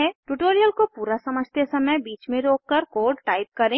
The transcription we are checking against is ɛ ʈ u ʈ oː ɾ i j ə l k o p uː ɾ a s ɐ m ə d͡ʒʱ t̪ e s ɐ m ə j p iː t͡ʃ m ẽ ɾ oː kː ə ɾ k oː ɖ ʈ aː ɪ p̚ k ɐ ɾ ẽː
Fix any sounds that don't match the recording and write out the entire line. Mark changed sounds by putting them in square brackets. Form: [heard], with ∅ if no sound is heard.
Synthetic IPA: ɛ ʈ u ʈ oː ɾ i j ə l k o p uː ɾ a s ɐ m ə d͡ʒʱ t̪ e s ɐ m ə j [b] iː t͡ʃ m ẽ ɾ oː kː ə ɾ k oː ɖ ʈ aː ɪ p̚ k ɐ ɾ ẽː